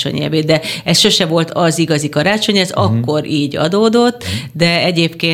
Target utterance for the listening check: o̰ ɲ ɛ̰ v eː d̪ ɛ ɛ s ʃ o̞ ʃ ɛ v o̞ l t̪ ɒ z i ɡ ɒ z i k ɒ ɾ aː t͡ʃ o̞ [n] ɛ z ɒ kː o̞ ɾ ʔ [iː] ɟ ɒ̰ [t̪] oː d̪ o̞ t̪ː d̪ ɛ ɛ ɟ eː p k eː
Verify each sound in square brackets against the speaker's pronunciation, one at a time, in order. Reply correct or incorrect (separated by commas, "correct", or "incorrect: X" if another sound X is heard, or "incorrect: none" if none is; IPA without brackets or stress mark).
incorrect: ɲ, correct, incorrect: d̪